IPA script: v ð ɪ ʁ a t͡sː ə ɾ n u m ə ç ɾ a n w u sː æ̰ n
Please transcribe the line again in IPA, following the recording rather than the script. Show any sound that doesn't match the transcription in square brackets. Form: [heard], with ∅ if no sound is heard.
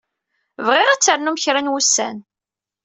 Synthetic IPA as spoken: v [ʁ] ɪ ʁ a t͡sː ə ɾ n u m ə ç ɾ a n w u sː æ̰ n